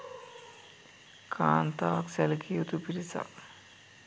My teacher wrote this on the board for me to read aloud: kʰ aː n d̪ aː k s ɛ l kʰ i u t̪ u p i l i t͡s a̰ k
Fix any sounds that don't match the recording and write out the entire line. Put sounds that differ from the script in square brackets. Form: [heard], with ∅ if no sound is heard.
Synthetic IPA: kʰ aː n [t̪] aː k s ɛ l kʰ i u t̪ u p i [ɾ] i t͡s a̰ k